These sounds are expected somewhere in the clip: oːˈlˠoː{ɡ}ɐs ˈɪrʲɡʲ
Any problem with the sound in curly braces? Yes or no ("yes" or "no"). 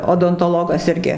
no